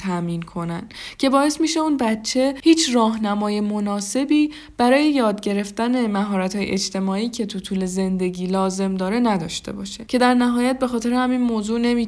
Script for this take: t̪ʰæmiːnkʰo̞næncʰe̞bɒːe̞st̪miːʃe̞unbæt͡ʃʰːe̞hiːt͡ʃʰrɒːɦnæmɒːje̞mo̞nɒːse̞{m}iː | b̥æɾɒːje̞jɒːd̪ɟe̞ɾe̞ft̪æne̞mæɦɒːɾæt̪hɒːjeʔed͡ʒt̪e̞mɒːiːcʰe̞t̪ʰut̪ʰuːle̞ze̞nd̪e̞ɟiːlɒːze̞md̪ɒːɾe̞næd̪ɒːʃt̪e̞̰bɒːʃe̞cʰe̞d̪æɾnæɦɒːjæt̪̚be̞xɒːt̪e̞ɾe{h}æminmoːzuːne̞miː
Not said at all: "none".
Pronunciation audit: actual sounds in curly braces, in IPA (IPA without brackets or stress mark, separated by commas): b, h